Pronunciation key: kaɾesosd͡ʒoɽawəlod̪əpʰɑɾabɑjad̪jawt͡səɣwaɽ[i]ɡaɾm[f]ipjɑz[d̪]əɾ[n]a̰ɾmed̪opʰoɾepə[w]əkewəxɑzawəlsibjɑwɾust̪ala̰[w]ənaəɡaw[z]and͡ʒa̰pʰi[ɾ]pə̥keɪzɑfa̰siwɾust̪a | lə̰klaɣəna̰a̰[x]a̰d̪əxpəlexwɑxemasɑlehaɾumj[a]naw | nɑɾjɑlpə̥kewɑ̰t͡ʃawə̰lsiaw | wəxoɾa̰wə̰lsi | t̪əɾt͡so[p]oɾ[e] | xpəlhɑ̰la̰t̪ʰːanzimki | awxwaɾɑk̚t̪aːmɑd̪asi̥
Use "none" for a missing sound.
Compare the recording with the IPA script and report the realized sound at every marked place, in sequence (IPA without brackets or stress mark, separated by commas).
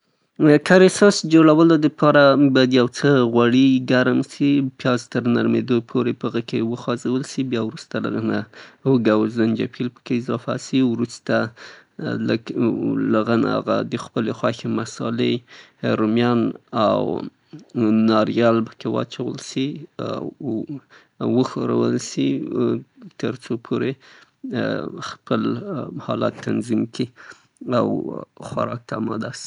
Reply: i, s, t̪, n, ɣ, ɣ, z, l, ɣ, ɑ, pʰ, e